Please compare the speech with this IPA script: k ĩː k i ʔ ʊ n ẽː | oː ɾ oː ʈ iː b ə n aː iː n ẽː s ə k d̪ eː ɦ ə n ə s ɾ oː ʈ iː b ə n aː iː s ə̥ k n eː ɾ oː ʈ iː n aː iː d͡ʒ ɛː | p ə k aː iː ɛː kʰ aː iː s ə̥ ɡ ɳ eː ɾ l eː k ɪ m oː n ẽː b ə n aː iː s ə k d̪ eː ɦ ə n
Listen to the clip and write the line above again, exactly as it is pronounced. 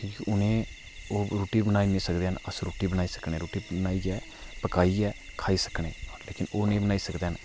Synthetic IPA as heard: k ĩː k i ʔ ʊ n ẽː | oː ɾ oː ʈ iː b ə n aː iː n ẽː s ə k d̪ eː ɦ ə n ə s ɾ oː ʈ iː b ə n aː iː s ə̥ k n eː ɾ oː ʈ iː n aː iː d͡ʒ ɛː | p ə k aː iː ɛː kʰ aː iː s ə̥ k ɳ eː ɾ l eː k ɪ n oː n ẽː b ə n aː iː s ə k d̪ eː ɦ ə n

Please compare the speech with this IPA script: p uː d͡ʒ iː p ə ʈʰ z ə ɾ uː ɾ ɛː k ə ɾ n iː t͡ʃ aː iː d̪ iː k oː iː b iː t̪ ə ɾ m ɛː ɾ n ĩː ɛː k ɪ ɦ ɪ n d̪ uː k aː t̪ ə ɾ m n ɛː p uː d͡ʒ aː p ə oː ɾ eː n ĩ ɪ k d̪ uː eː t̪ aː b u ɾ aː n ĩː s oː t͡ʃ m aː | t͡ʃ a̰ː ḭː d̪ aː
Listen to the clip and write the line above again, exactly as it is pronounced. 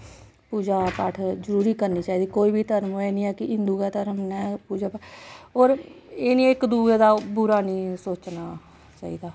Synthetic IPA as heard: p uː d͡ʒ aː p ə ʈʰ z ə ɾ uː ɾ iː k ə ɾ n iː t͡ʃ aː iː d̪ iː k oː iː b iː t̪ ə ɾ m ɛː n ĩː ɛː k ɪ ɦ ɪ n d̪ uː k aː t̪ ə ɾ m n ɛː p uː d͡ʒ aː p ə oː ɾ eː n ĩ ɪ k d̪ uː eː d̪ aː b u ɾ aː n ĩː s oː t͡ʃ n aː | t͡ʃ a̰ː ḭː d̪ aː

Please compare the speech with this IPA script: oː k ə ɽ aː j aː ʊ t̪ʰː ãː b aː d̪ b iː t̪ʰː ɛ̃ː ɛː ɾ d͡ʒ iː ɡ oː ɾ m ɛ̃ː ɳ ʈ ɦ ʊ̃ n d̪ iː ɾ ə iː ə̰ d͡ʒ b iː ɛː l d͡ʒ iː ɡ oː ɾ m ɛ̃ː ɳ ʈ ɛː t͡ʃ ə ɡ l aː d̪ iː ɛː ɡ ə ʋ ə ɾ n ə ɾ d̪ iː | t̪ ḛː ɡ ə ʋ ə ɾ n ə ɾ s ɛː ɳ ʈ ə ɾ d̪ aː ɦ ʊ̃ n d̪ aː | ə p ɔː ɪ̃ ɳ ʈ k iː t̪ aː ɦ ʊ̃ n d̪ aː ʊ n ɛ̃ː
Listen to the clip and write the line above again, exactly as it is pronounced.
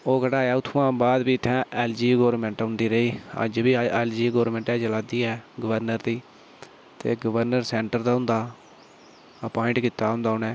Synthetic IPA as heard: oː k ə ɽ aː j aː ʊ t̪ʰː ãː b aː d̪ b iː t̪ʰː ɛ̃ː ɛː l d͡ʒ iː ɡ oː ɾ m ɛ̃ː ɳ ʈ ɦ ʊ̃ n d̪ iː ɾ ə iː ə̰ d͡ʒ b iː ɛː l d͡ʒ iː ɡ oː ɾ m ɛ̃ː ɳ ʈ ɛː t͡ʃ ə l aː d̪ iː ɛː ɡ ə ʋ ə ɾ n ə ɾ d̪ iː | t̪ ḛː ɡ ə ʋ ə ɾ n ə ɾ s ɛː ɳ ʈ ə ɾ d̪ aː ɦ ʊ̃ n d̪ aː | ə p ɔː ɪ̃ ɳ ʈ k iː t̪ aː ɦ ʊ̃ n d̪ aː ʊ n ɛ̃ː

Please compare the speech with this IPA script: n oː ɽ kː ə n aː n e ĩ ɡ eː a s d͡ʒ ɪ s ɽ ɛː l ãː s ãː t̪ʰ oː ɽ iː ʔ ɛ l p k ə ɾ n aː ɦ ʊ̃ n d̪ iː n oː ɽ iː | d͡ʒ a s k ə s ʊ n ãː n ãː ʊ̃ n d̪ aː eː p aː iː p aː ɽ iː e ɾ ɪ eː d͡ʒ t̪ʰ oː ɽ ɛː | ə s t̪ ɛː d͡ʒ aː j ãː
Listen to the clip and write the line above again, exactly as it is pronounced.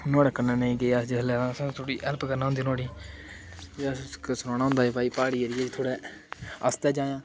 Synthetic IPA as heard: n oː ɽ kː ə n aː n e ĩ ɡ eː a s d͡ʒ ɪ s l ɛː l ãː s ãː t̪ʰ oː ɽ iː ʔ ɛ l p k ə ɾ n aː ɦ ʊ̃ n d̪ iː n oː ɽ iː | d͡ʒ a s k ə s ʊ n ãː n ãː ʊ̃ n d̪ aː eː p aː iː p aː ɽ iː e ɾ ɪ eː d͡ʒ t̪ʰ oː ɽ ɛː | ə s t̪ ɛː d͡ʒ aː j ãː

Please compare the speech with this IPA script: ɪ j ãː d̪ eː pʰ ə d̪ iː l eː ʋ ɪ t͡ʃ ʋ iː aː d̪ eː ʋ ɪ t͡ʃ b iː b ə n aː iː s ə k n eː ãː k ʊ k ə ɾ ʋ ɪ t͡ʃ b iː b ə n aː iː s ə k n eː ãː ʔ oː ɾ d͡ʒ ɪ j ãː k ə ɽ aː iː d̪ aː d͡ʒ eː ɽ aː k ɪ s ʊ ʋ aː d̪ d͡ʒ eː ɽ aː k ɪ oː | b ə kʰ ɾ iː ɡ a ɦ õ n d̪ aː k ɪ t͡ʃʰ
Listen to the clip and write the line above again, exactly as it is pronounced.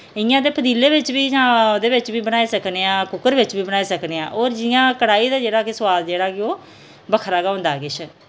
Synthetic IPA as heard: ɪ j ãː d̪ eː pʰ ə d̪ iː l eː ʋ ɪ t͡ʃ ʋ iː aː d̪ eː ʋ ɪ t͡ʃ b iː b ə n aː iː s ə k n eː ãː k ʊ k ə ɾ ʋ ɪ t͡ʃ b iː b ə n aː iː s ə k n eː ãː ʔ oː ɾ d͡ʒ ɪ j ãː k ə ɽ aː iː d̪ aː d͡ʒ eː ɽ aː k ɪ s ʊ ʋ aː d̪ d͡ʒ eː ɽ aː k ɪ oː | b ə kʰ ɾ aː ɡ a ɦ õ n d̪ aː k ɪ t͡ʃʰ

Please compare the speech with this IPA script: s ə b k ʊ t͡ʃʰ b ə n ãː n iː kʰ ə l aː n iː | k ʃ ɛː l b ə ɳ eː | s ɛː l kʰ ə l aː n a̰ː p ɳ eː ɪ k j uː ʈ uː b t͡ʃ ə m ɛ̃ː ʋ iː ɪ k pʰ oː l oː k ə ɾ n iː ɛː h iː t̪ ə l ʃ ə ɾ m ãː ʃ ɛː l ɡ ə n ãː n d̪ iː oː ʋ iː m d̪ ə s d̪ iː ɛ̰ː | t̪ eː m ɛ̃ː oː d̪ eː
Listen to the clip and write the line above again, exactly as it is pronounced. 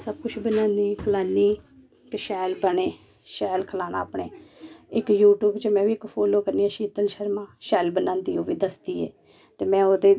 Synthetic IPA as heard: s ə b k ʊ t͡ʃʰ b ə n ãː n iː kʰ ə l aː n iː | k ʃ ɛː l b ə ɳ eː | ʃ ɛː l kʰ ə l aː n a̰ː p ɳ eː ɪ k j uː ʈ uː b t͡ʃ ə m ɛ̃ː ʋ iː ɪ k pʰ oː l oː k ə ɾ n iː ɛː ʃ iː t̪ ə l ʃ ə ɾ m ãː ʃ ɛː l b ə n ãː n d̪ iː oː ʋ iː d̪ ə s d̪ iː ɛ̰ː | t̪ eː m ɛ̃ː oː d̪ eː

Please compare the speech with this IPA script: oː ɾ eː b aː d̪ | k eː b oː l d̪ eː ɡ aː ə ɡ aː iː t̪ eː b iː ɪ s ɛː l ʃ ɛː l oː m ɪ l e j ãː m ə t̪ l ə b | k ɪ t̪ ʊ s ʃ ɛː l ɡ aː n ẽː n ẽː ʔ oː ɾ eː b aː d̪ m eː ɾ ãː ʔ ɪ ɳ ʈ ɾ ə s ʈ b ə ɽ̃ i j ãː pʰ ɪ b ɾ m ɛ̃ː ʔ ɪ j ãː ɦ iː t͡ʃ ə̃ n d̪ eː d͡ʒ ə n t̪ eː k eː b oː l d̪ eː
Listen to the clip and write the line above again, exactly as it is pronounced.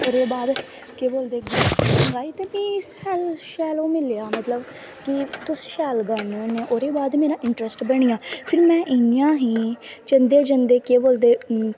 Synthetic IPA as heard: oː ɾ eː b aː d̪ | k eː b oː l d̪ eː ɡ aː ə ɡ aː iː t̪ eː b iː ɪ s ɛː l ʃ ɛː l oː m ɪ l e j aː m ə t̪ l ə b | k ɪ t̪ ʊ s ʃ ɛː l ɡ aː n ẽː n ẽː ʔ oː ɾ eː b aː d̪ m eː ɾ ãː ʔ ɪ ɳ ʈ ɾ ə s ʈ b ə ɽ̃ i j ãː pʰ ɪ ɾ m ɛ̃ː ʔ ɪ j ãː ɦ iː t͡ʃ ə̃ n d̪ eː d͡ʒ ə n d̪ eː k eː b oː l d̪ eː

